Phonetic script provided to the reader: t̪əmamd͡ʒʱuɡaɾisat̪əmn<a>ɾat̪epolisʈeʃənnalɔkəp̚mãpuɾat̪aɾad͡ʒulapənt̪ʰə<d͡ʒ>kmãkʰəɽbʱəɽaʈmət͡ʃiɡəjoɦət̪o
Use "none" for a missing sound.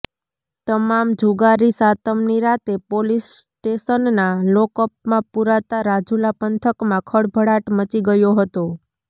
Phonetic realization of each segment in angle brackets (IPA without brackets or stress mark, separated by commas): i, none